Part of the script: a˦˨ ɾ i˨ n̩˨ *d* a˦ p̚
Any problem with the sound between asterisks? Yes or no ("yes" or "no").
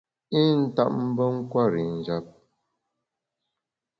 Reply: yes